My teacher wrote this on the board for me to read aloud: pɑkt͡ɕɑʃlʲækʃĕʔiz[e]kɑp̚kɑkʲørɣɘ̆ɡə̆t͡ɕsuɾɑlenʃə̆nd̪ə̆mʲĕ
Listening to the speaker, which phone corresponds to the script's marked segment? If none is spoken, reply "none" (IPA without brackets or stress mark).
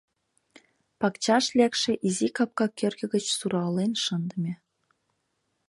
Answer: i